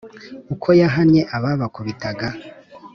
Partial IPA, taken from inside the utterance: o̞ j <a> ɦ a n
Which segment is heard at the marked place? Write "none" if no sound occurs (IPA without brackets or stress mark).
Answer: a